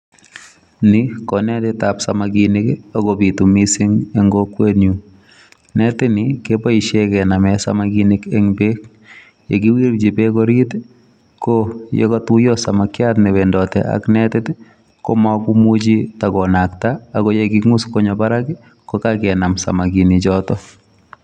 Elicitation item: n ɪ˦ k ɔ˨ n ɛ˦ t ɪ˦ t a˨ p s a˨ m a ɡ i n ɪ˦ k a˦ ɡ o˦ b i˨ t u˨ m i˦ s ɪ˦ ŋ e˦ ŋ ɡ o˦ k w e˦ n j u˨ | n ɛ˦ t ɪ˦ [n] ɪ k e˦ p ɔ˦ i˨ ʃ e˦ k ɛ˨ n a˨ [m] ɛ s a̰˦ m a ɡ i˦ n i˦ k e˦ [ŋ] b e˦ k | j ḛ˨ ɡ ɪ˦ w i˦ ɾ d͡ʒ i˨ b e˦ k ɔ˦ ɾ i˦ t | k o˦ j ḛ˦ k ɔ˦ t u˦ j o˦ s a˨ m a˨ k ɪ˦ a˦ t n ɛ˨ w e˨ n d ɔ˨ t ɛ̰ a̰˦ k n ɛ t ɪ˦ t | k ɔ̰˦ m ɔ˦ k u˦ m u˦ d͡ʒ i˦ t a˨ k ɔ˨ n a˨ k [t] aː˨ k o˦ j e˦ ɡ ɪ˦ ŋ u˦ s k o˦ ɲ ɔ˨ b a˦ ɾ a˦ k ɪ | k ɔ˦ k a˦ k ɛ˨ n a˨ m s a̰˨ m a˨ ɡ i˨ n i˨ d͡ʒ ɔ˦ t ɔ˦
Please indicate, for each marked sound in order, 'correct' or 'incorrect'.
correct, correct, correct, correct

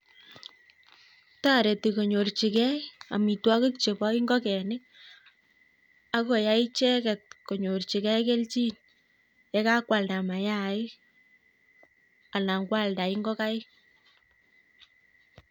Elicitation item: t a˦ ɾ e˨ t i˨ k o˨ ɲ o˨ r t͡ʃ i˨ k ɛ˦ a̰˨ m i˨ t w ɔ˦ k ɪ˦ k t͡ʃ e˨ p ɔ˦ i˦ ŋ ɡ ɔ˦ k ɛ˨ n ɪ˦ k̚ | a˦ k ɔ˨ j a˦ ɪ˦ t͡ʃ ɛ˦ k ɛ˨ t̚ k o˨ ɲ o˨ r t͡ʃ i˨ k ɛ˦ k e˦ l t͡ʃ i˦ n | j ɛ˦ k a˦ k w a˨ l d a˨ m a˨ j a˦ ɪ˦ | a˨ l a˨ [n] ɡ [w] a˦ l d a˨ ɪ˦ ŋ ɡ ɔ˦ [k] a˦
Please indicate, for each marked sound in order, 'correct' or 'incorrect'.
incorrect: ŋ, correct, correct

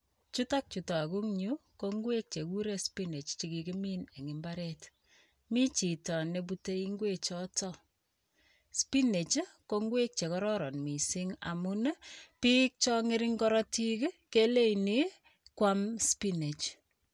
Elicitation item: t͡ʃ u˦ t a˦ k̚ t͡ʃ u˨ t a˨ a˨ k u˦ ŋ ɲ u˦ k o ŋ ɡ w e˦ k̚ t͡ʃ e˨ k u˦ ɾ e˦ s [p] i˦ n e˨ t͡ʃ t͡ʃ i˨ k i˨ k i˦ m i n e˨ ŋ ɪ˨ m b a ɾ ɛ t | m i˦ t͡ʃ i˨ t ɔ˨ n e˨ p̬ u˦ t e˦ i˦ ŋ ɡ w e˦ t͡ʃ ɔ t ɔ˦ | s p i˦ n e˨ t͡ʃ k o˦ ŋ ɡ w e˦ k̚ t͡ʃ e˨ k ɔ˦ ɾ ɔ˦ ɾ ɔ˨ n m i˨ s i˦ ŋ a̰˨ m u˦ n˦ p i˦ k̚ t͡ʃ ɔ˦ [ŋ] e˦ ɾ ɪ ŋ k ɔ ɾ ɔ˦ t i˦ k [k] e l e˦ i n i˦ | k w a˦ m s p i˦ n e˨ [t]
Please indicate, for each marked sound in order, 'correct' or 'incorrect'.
correct, correct, correct, incorrect: t͡ʃ

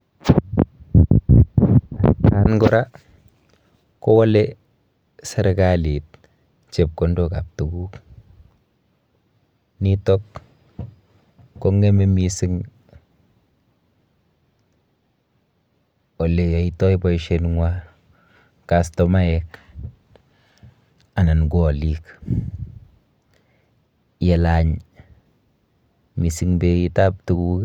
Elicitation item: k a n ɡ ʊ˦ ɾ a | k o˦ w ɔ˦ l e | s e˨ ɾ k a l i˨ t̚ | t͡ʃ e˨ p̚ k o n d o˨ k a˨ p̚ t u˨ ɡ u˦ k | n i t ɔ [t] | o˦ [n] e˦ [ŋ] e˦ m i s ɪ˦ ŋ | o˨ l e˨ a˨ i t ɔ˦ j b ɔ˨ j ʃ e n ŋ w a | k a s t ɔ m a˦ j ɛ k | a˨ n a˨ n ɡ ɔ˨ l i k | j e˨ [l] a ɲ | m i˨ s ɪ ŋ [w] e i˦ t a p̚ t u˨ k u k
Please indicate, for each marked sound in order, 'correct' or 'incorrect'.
incorrect: k, incorrect: ŋ, incorrect: m, correct, incorrect: b

